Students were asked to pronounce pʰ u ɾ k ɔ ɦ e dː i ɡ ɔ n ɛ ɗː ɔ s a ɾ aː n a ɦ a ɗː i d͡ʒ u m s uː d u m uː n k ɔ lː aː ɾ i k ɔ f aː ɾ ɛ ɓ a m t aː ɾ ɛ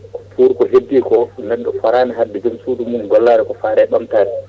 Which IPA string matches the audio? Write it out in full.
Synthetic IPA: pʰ u ɾ k ɔ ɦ e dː i k ɔ n ɛ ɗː ɔ f a ɾ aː n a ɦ a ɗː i d͡ʒ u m s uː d u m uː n ɡ ɔ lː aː ɾ ɛ k ɔ f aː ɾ ɛ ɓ a m t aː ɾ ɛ